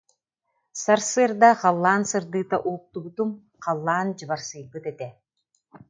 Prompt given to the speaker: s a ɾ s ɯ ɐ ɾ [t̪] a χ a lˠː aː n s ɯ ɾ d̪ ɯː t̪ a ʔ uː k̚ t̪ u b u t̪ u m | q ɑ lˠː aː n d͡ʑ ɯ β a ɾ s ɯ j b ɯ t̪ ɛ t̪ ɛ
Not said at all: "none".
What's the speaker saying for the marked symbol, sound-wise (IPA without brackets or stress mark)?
d̪